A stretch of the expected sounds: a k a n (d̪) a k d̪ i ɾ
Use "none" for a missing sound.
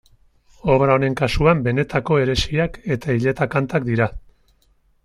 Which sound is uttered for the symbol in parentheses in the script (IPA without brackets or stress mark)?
t̪